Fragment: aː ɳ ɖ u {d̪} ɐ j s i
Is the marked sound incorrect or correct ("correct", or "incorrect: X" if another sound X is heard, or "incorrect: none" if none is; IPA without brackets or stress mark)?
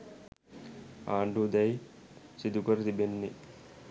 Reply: correct